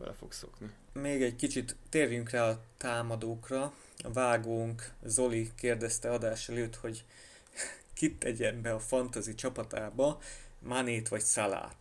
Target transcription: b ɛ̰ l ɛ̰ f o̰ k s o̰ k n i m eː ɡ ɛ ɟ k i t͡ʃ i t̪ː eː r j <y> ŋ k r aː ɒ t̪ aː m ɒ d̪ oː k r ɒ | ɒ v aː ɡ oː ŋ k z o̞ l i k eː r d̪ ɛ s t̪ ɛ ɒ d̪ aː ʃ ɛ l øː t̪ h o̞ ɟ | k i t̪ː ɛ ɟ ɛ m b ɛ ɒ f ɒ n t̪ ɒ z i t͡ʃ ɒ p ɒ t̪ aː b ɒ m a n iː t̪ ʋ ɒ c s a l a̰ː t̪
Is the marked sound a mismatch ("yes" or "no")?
no